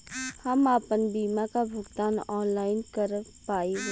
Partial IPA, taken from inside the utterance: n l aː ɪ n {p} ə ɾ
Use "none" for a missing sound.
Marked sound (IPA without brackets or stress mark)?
k